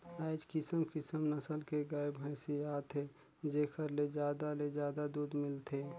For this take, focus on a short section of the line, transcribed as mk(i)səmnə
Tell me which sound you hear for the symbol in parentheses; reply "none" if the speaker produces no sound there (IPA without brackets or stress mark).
ɪ